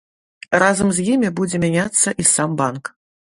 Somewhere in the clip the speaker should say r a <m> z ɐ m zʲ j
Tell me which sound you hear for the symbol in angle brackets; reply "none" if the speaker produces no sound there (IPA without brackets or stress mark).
none